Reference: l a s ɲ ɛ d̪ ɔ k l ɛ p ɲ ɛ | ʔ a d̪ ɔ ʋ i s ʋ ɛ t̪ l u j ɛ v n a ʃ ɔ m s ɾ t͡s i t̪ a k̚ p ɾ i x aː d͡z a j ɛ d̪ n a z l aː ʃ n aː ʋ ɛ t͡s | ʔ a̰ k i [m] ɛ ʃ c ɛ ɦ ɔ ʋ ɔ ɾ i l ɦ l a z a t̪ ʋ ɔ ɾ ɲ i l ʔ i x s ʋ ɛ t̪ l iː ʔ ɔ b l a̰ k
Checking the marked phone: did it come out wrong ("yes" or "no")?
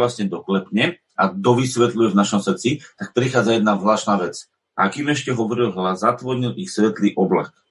no